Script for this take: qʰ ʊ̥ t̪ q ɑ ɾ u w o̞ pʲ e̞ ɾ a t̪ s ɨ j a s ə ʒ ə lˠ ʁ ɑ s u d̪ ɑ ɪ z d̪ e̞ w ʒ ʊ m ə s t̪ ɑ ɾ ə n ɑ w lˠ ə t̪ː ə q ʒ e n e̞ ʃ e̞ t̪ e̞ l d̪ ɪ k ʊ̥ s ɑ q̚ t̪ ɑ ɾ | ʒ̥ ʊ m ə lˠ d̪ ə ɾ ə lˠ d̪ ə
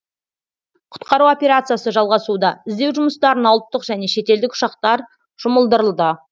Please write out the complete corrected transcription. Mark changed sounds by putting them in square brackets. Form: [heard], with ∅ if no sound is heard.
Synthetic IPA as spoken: qʰ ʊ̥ t̪ q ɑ ɾ u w o̞ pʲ e̞ ɾ a t̪ s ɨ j a s ə ʒ [ɑ] lˠ ʁ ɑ s u d̪ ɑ ɪ z d̪ e̞ w ʒ ʊ m ə s t̪ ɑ ɾ ə n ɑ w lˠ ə t̪ː ə q ʒ [æ] n e̞ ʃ e̞ t̪ e̞ l d̪ ɪ k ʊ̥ [ʃ] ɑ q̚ t̪ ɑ ɾ | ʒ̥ ʊ m ə lˠ d̪ ə ɾ ə lˠ d̪ ə